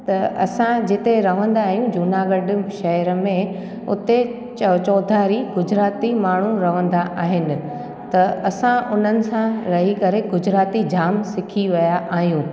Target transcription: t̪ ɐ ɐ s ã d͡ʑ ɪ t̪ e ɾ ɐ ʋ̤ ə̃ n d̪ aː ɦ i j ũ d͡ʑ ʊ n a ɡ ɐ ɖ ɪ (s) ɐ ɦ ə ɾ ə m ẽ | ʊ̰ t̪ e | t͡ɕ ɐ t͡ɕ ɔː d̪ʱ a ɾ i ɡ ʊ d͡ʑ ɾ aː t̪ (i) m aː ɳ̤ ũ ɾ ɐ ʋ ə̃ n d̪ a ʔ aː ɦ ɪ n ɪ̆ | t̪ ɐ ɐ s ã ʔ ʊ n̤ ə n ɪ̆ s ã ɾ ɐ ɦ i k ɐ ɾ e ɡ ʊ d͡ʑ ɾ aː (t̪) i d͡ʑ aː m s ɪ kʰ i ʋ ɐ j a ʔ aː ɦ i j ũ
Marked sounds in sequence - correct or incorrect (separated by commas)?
incorrect, correct, correct